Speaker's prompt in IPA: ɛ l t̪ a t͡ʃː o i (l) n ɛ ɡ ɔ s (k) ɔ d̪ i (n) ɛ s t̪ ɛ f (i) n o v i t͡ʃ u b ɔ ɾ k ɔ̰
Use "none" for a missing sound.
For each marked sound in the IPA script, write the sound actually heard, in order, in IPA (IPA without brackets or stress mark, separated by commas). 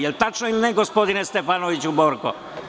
l, p, n, a